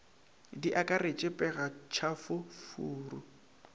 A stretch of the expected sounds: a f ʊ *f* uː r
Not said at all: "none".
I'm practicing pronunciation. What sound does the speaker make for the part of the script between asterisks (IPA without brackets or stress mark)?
f